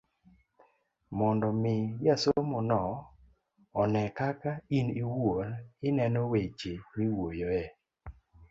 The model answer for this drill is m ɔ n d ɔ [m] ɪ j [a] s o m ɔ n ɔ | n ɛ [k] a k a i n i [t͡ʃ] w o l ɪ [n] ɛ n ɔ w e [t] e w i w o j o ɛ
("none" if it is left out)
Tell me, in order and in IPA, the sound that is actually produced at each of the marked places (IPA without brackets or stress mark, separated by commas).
m, a, k, none, n, t͡ʃ